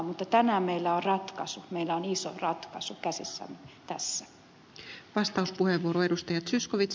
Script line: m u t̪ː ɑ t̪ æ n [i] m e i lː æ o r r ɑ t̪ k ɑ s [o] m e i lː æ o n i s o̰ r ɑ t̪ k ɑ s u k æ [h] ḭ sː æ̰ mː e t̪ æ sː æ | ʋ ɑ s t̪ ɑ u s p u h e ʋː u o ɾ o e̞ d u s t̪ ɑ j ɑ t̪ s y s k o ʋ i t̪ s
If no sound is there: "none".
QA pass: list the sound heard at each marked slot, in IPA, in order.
æ, u, s

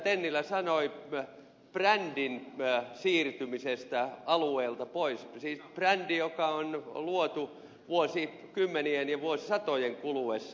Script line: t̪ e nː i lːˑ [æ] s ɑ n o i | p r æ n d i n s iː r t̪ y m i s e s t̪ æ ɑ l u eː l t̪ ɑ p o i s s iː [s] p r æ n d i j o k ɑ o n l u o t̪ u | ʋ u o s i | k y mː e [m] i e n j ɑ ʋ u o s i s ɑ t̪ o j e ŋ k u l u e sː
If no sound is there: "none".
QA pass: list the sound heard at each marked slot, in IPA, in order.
æ, s, n

